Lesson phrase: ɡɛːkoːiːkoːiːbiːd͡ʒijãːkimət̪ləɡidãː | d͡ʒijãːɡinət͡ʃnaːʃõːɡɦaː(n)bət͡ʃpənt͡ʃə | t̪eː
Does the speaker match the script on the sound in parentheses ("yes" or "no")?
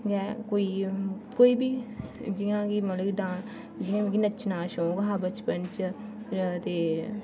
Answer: no